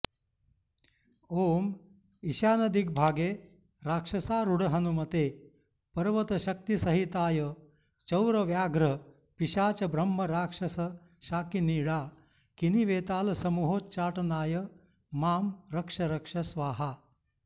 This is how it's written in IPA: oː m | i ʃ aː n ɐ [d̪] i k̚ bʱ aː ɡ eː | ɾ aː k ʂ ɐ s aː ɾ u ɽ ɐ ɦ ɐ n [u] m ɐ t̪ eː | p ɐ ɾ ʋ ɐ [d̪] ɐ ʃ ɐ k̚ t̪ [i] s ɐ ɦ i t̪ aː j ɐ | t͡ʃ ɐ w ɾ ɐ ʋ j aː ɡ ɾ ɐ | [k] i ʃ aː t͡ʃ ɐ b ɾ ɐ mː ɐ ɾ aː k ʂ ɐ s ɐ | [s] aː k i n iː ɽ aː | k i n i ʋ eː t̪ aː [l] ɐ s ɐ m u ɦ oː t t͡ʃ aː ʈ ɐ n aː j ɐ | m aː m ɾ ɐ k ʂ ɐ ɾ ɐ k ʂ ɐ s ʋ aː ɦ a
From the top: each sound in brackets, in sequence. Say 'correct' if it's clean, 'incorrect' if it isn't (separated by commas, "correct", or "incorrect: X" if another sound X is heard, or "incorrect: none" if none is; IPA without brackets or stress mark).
correct, correct, incorrect: t̪, correct, incorrect: p, incorrect: ʃ, correct